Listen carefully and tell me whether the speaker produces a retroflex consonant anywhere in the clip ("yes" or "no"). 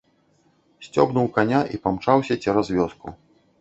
yes